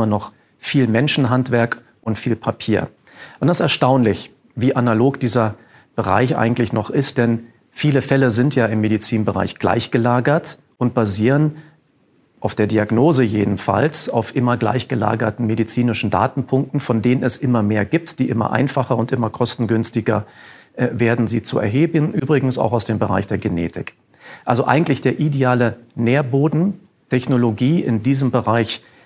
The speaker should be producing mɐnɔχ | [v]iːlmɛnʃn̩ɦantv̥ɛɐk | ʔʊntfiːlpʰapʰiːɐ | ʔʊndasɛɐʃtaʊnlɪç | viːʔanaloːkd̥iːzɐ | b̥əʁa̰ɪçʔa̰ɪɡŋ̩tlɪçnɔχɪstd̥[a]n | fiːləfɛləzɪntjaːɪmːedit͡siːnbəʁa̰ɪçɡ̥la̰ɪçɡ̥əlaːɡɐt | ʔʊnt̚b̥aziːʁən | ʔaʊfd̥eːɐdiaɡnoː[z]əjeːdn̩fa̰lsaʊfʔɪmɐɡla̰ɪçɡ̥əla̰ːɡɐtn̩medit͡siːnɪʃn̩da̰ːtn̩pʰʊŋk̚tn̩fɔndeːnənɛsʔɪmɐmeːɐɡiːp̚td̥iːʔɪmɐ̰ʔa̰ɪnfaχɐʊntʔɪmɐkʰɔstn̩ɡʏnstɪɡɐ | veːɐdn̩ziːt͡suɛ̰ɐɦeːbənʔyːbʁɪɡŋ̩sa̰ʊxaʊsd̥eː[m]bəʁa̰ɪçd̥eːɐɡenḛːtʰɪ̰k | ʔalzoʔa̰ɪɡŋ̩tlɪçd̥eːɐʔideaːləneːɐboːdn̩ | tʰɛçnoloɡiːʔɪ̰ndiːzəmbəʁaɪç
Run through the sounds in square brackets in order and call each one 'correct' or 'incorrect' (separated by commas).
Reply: incorrect, incorrect, correct, correct